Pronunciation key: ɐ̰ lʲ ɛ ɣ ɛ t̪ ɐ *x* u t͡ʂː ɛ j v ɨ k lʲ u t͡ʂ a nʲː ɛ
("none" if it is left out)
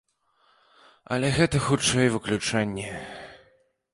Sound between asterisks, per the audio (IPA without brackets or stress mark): x